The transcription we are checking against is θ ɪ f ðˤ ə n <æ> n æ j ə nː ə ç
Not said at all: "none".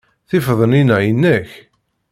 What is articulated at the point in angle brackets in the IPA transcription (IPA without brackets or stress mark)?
i